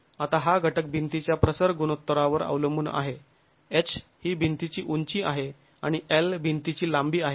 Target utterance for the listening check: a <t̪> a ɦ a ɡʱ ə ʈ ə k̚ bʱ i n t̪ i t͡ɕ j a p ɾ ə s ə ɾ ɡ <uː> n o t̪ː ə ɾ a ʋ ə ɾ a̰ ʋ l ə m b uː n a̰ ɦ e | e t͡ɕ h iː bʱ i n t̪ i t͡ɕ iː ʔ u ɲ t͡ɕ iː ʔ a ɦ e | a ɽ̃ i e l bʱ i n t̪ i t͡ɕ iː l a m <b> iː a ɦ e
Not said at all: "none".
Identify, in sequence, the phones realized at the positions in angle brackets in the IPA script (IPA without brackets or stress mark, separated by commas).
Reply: t̪, u, b